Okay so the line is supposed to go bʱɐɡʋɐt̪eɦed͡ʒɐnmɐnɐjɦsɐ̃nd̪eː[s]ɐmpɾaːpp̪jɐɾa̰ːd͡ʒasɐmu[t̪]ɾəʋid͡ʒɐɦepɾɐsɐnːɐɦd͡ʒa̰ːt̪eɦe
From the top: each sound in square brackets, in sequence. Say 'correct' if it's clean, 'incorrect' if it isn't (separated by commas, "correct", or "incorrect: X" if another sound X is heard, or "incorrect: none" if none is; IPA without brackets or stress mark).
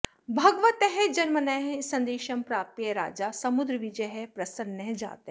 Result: incorrect: ʃ, incorrect: d̪